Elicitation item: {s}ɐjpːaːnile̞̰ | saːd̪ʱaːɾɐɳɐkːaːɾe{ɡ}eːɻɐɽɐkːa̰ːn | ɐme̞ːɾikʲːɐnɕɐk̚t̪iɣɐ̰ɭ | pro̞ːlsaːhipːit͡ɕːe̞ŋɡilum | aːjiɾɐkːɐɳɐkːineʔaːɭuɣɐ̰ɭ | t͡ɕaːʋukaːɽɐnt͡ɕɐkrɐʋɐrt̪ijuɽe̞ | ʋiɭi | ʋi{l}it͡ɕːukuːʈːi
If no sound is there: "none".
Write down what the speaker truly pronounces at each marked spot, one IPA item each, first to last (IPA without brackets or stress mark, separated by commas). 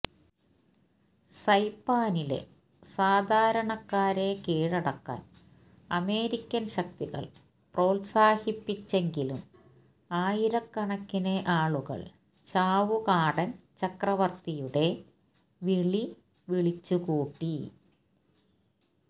s, k, ɭ